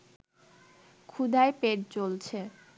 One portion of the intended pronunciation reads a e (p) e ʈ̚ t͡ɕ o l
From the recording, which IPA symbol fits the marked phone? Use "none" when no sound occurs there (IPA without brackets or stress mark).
p